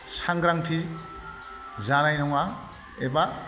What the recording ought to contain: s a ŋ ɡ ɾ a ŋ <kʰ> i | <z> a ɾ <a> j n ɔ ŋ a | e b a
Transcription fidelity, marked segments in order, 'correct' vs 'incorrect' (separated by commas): incorrect, correct, correct